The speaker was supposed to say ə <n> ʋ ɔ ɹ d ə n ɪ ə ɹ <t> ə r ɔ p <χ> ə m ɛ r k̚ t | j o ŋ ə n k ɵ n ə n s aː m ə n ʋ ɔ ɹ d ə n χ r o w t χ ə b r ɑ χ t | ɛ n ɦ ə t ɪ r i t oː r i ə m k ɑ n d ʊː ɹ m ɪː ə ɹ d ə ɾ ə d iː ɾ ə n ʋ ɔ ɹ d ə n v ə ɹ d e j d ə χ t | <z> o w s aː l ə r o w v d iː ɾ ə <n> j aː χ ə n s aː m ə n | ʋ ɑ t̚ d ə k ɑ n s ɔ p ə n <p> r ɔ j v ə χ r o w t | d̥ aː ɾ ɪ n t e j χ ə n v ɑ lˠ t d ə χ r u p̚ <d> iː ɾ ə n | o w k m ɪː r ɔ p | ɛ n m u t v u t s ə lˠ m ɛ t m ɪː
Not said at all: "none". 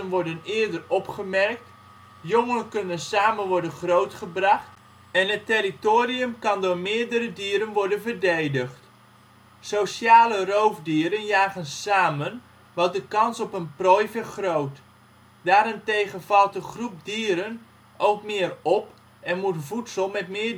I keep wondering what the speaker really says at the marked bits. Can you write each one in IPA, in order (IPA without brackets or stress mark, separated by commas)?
n, d, χ, s, n, p, d